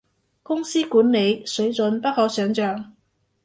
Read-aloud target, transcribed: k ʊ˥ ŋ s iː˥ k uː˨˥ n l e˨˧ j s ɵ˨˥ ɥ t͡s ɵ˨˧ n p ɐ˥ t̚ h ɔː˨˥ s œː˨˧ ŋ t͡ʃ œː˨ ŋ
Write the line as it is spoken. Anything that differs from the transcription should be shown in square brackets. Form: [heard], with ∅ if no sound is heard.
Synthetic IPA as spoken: k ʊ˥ ŋ s iː˥ k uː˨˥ n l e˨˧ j s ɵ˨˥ ɥ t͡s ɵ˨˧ n p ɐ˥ t̚ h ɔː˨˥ s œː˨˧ ŋ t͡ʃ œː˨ ŋ